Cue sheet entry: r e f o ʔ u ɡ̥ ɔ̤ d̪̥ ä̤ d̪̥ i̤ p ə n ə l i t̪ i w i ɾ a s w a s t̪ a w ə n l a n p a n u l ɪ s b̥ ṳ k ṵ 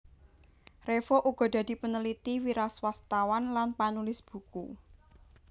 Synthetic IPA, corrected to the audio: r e f o ʔ u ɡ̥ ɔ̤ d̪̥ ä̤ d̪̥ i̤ p ə n ə l i t̪ i w i ɾ a s w a s t̪ a w a n l a n p a n u l ɪ s b̥ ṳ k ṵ